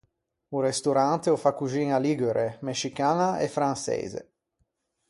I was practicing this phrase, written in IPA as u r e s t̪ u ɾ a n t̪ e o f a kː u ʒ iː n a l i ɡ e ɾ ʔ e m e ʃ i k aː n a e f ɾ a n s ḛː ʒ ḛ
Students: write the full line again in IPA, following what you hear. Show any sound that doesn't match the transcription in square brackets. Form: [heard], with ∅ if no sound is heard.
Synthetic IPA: u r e s t̪ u ɾ a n t̪ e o f a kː u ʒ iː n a l i ɡ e ɾ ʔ e m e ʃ i k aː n a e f ɾ a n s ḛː [z] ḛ